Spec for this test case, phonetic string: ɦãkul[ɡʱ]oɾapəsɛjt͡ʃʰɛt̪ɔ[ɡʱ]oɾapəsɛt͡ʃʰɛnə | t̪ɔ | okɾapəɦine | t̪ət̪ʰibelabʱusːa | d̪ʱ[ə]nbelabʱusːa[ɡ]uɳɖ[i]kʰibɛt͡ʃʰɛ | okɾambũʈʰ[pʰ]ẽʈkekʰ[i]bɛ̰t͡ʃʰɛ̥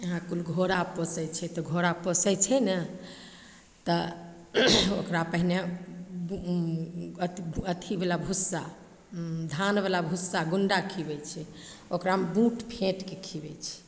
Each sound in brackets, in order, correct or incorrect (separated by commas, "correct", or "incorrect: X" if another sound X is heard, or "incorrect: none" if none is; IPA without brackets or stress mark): correct, correct, incorrect: a, correct, incorrect: a, correct, correct